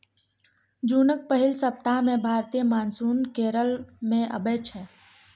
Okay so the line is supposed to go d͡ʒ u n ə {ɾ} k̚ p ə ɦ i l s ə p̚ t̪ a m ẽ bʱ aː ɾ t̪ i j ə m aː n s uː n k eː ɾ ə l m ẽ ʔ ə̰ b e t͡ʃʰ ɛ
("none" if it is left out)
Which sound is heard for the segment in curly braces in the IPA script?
none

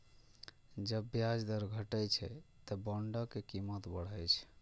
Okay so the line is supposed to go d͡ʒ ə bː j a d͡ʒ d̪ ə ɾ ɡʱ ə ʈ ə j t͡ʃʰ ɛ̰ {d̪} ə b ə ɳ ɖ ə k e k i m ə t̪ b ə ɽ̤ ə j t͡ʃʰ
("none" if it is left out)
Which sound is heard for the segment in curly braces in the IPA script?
t̪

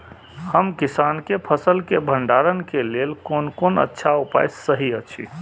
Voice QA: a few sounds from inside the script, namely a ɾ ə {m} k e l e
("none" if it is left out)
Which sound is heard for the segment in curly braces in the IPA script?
n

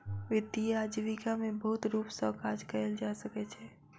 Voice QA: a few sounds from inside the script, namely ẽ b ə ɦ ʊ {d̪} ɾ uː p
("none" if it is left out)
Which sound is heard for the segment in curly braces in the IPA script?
t̪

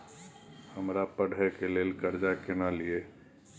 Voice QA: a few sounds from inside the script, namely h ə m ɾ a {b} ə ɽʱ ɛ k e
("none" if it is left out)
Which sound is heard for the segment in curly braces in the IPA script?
p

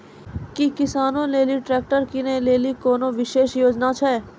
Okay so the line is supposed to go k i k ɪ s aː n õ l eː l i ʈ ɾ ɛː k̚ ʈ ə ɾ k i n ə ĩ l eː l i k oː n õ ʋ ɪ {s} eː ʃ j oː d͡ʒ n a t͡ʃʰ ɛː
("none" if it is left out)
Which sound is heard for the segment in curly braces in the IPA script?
ʃ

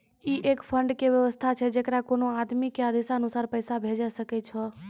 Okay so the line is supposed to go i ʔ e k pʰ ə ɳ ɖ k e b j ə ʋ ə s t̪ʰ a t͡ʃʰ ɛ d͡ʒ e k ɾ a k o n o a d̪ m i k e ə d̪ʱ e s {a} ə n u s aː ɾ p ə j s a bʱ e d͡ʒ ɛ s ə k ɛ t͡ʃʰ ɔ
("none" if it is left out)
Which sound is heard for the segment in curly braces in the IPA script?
a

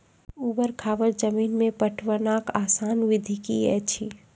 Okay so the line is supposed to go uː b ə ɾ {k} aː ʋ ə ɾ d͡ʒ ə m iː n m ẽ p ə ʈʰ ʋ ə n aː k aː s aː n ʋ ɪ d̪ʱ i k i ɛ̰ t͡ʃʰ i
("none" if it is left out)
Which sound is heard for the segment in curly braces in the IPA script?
kʰ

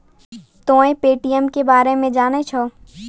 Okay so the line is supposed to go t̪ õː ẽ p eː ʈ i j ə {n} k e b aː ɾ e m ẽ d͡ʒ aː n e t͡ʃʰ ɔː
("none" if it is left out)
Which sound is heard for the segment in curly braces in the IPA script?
m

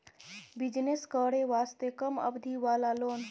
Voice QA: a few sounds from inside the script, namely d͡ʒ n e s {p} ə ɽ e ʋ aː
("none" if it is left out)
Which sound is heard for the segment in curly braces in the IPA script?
k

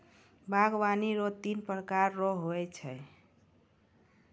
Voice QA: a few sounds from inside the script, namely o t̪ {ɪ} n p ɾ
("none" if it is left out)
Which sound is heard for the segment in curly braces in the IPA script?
i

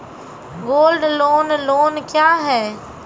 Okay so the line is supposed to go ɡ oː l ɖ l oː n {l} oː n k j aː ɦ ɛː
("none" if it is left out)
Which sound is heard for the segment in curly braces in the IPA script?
l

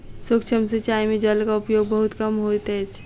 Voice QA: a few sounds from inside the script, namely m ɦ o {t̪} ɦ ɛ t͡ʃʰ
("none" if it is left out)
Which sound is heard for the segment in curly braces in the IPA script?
t̪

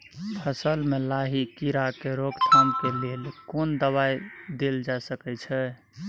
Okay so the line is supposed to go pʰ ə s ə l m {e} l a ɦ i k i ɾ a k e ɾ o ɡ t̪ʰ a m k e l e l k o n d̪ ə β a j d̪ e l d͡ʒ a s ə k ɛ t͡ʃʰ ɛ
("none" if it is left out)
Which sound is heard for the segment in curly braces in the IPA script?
e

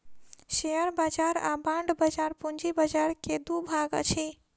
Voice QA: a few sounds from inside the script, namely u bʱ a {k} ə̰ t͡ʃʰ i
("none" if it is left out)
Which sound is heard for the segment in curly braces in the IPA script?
ɡ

